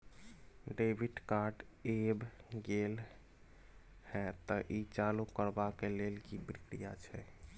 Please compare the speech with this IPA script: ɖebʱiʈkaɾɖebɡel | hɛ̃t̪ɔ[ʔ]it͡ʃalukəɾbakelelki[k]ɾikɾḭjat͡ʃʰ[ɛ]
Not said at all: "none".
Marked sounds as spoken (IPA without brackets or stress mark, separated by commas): ʔ, p, ɛ